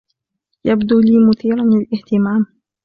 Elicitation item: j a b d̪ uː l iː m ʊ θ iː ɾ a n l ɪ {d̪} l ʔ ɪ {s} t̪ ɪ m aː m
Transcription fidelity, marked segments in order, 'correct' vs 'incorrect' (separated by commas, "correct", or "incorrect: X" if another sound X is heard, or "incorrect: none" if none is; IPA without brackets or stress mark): incorrect: none, incorrect: h